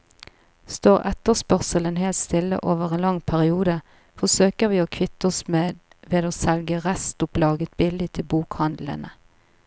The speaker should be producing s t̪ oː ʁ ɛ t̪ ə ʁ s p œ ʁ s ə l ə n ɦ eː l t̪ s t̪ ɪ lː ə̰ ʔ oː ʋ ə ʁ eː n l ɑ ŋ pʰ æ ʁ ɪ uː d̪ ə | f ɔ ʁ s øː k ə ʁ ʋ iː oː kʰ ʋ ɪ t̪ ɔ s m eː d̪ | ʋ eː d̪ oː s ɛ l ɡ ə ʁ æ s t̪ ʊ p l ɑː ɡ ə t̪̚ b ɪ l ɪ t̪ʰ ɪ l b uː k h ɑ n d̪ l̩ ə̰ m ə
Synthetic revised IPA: s t̪ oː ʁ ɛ t̪ ə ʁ s p œ ʁ s ə l ə n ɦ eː l t̪ s t̪ ɪ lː ə̰ ʔ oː ʋ ə ʁ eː n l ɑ ŋ pʰ æ ʁ ɪ uː d̪ ə | f ɔ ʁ s øː k ə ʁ ʋ iː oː kʰ ʋ ɪ t̪ ɔ s m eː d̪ | ʋ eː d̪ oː s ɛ l ɡ ə ʁ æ s t̪ ʊ p l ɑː ɡ ə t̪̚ b ɪ l ɪ t̪ʰ ɪ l b uː k h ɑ n d̪ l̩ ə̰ n ə